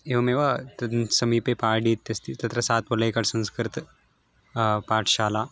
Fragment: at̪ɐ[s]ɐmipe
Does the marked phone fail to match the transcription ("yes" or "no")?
no